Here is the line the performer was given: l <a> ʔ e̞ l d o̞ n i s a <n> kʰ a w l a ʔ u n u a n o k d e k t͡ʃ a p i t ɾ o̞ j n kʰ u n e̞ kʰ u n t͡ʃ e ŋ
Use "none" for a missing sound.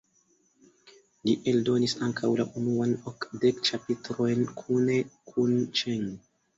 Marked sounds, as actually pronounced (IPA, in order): i, ŋ

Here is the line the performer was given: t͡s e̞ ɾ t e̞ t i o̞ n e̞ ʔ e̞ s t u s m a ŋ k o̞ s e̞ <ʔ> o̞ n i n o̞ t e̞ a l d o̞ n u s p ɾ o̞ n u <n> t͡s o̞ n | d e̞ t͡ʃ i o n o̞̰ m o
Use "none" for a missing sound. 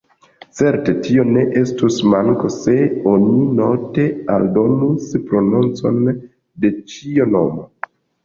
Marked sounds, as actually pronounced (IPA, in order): none, n

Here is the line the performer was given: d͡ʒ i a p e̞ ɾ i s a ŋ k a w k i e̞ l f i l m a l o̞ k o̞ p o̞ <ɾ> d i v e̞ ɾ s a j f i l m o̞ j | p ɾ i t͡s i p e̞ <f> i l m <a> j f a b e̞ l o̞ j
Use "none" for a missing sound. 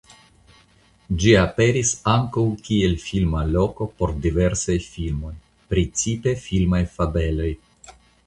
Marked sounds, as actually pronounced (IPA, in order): ɾ, f, a

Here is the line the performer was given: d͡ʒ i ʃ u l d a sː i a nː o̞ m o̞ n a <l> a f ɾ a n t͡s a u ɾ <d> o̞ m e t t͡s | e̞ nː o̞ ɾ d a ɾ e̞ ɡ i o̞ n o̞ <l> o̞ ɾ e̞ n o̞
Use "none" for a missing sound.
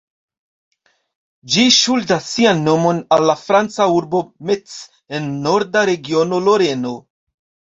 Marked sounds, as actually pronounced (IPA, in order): lː, b, l

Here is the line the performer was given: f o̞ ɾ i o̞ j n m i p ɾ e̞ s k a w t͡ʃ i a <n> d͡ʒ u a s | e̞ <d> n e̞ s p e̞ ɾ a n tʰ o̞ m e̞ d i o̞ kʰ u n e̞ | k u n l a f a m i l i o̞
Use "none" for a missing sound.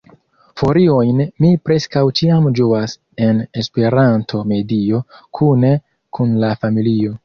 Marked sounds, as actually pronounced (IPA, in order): m, none

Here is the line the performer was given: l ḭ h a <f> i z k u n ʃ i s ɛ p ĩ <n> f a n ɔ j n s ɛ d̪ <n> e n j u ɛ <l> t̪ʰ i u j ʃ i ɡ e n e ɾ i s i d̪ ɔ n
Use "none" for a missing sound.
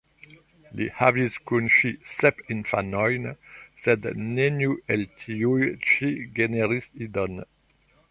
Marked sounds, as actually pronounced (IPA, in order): v, n, n, l

